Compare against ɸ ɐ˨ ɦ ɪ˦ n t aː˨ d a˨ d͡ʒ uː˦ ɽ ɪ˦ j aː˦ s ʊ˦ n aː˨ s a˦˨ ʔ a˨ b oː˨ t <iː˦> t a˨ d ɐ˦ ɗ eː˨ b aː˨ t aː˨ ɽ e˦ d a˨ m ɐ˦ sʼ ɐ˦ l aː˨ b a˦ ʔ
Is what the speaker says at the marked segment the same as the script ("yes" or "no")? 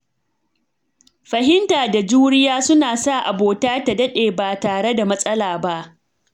no